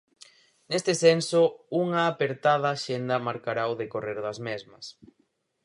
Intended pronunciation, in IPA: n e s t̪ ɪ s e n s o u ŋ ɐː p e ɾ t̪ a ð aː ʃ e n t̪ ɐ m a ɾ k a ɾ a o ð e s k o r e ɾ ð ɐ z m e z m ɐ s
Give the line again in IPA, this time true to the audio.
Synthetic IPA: n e s t̪ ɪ s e n s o u ŋ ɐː p e ɾ t̪ a ð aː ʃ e n d̪ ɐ m a ɾ k a ɾ a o ð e k o r e ɾ ð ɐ z m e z m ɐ s